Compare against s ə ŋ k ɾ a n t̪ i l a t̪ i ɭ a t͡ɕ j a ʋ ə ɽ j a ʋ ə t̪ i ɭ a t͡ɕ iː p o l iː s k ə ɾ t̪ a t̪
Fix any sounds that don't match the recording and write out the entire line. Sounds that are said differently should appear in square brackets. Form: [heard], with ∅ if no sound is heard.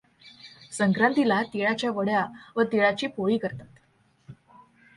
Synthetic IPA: s ə ŋ k ɾ a n t̪ i l a t̪ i ɭ a t͡ɕ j a ʋ ə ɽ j a ʋ ə t̪ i ɭ a t͡ɕ iː p o [ɭ] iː [∅] k ə ɾ t̪ a t̪